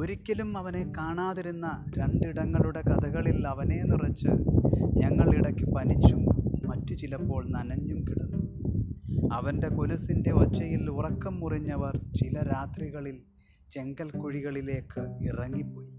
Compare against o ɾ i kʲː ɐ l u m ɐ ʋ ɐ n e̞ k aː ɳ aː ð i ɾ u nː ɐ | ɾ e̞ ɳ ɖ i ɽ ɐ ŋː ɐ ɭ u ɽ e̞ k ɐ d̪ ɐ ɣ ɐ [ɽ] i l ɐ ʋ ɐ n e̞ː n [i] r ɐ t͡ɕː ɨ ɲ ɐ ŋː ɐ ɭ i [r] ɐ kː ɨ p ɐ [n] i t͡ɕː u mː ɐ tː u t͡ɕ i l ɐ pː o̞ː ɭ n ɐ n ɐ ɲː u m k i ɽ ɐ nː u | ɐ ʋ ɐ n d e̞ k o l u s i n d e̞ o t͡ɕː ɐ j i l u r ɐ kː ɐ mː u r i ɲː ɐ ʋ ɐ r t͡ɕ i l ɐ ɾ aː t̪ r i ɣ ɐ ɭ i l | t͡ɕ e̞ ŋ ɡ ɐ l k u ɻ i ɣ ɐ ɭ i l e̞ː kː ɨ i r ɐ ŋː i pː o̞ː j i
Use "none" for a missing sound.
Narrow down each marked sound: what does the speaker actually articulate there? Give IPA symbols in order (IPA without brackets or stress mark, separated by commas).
ɭ, i, ɽ, n